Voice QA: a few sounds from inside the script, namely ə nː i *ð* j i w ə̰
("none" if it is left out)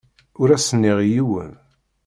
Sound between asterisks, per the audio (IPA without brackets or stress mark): ʁ